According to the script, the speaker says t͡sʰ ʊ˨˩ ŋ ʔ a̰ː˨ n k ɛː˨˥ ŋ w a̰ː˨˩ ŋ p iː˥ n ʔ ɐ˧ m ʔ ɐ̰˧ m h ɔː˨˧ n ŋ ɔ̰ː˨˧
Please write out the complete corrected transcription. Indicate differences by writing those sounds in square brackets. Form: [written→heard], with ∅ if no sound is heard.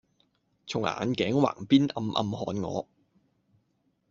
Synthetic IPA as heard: t͡sʰ ʊ˨˩ ŋ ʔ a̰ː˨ n k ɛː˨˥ ŋ w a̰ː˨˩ ŋ p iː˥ n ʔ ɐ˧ m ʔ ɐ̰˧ m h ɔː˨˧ n ŋ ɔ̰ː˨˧